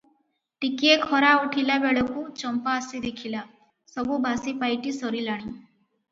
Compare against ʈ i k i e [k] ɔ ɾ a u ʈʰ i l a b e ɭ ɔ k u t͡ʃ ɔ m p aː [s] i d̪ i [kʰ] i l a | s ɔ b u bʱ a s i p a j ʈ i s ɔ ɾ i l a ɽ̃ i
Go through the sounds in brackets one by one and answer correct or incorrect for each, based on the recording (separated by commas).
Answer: incorrect, correct, correct